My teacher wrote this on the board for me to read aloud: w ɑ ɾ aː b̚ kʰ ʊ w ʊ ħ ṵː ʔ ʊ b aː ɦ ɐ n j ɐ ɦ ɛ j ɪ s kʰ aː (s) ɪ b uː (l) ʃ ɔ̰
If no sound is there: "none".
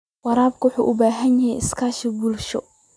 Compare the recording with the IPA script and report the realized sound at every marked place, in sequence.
ʃ, l

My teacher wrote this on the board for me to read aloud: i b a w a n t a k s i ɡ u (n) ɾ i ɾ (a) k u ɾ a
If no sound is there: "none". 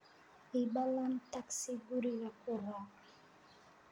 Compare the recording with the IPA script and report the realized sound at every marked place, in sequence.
none, a

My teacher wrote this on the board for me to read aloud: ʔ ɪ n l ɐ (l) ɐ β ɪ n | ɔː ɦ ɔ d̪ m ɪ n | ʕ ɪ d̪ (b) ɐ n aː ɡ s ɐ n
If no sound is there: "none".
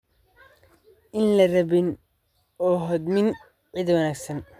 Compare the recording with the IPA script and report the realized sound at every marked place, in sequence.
r, w

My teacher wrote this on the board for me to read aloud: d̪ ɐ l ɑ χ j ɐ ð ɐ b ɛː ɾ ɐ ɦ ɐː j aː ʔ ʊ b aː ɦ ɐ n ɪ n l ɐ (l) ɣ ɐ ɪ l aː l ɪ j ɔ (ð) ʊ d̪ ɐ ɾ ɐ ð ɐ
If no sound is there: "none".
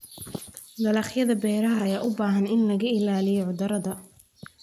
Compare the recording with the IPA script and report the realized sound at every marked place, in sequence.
none, ʕ

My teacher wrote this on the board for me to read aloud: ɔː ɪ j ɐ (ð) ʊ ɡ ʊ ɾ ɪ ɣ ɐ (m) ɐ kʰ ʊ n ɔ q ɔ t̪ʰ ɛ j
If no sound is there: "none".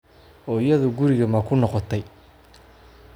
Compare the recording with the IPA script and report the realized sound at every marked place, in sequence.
ð, m

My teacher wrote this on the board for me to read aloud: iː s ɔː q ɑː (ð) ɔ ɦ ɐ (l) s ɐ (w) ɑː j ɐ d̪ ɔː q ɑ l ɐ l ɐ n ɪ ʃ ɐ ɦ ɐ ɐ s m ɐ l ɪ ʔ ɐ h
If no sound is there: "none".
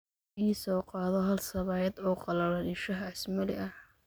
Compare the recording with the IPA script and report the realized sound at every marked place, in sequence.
ð, l, β

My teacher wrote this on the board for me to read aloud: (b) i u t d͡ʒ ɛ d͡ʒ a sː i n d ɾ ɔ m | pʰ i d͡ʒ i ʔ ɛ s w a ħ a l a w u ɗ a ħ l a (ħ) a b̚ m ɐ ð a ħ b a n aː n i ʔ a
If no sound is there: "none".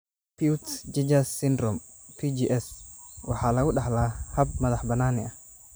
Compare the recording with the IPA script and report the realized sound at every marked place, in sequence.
p, h

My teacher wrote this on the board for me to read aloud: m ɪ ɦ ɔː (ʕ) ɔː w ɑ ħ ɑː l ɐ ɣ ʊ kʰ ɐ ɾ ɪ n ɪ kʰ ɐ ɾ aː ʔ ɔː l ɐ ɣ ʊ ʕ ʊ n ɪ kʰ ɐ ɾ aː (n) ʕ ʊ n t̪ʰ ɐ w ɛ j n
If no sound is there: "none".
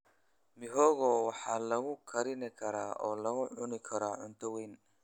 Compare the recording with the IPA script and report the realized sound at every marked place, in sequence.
ɣ, none

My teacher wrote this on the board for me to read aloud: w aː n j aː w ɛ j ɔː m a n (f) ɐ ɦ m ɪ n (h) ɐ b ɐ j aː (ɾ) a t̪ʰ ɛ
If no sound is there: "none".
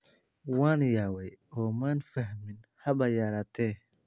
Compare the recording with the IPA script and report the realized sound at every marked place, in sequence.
f, h, ɾ

